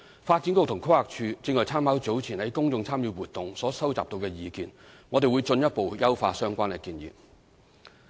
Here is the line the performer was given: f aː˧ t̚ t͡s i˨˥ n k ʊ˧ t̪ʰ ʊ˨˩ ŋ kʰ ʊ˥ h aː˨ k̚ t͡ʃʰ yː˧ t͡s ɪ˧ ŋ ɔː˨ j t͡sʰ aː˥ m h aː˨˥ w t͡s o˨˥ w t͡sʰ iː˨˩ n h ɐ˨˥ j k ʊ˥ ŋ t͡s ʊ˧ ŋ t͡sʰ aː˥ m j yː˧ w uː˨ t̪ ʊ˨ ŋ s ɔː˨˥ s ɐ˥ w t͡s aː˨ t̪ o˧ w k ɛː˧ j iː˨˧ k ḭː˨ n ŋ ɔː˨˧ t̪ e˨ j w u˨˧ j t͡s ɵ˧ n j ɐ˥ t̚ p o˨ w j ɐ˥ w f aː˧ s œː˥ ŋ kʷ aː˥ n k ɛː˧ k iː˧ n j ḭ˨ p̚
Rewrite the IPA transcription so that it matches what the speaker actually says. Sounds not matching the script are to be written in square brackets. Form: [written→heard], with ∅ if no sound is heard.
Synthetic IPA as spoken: f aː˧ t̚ t͡s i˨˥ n k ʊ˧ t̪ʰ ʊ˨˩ ŋ kʰ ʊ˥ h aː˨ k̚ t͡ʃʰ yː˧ t͡s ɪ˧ ŋ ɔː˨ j t͡sʰ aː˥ m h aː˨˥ w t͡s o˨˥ w t͡sʰ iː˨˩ n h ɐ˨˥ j k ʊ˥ ŋ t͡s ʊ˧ ŋ t͡sʰ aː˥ m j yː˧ w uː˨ t̪ ʊ˨ ŋ s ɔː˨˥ s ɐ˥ w t͡s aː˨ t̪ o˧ w k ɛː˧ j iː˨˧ k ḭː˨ n ŋ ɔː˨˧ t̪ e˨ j w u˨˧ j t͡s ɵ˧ n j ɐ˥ t̚ p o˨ w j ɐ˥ w f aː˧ s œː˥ ŋ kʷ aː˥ n k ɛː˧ k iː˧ n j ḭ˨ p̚